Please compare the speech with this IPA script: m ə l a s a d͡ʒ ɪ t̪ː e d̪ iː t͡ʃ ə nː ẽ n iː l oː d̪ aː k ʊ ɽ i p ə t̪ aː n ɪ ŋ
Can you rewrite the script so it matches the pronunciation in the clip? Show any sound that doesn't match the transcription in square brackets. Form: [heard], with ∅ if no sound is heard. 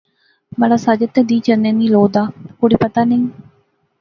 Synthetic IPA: m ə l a s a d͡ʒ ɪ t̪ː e d̪ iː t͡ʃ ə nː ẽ n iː l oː d̪ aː k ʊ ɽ i p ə t̪ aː n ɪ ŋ